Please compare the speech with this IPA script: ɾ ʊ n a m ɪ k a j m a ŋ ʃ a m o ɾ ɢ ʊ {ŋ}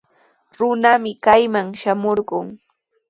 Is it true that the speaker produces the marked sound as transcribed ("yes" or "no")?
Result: yes